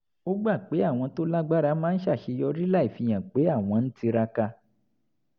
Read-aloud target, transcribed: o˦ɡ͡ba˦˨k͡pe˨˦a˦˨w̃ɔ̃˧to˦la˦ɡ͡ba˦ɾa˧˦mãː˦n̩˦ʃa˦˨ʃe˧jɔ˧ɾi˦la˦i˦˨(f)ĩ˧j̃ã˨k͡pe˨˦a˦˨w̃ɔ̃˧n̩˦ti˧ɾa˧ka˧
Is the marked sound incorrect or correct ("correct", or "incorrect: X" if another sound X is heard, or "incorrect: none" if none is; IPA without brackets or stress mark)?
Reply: correct